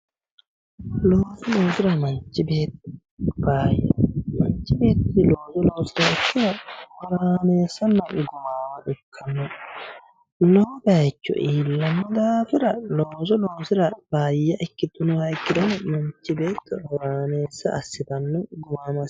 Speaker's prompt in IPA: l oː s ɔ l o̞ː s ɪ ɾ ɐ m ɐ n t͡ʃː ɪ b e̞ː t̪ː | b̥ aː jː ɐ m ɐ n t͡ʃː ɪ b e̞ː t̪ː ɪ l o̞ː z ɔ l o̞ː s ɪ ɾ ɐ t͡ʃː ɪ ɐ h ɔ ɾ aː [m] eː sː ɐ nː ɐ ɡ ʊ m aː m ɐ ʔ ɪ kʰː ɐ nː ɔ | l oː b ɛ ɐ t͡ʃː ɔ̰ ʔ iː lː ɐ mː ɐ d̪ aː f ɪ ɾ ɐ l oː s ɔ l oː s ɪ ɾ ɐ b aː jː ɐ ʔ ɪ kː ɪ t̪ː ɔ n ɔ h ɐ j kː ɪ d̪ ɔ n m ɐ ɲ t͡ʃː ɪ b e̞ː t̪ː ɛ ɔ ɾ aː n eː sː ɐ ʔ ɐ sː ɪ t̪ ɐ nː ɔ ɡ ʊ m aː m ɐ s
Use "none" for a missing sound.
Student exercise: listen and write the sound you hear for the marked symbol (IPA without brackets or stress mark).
n